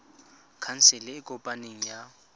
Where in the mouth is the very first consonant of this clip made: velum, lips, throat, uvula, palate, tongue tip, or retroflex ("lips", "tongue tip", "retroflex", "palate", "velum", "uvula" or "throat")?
velum